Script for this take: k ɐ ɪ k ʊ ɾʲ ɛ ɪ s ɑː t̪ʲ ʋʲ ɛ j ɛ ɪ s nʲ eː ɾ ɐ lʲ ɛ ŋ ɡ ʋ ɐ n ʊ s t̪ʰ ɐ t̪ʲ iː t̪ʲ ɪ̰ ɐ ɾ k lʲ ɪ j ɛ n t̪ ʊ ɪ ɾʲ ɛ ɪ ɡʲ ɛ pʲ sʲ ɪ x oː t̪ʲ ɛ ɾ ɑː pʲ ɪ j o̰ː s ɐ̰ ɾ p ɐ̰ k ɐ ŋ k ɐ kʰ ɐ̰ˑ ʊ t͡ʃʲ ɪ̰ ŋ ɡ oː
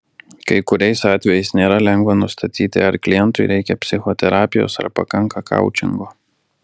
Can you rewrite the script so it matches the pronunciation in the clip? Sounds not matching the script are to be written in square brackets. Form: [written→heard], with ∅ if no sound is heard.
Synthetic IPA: k ɐ ɪ k ʊ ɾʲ ɛ ɪ s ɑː t̪ʲ ʋʲ ɛ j ɛ ɪ s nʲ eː ɾ ɐ lʲ ɛ ŋ ɡ ʋ ɐ n ʊ s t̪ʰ ɐ t̪ʲ iː t̪ʲ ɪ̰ ɐ ɾ k lʲ ɪ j ɛ n t̪ ʊ ɪ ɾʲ ɛ ɪ [ɡʲ→kʲ] ɛ pʲ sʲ ɪ x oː t̪ʲ ɛ ɾ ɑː pʲ ɪ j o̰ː s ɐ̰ ɾ p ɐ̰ k ɐ ŋ k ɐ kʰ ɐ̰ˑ ʊ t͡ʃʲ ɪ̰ ŋ ɡ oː